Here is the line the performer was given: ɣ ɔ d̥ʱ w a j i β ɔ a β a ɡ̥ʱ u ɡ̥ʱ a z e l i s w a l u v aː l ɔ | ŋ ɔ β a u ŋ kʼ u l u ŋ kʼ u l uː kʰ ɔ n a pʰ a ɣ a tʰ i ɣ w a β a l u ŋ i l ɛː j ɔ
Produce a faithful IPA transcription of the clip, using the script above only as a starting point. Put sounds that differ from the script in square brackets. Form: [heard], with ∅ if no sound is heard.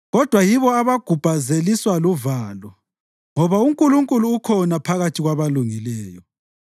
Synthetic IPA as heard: ɣ ɔ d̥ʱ w a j i β ɔ a β a ɡ̥ʱ u [b̥ʱ] a z e l i s w a l u v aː l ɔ | ŋ ɔ β a u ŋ kʼ u l u ŋ kʼ u l uː kʰ ɔ n a pʰ a ɣ a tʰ i ɣ w a β a l u ŋ i l ɛː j ɔ